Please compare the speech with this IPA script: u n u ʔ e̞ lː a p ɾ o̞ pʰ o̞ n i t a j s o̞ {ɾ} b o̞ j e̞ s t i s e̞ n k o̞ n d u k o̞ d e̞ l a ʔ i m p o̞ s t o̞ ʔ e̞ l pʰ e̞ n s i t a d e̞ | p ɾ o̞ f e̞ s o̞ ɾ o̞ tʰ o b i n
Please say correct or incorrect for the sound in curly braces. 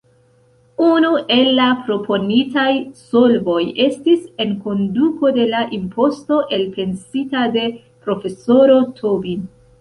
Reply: incorrect